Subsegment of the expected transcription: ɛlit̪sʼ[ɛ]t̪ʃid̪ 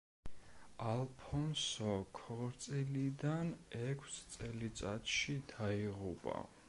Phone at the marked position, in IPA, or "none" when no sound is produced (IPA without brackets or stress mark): a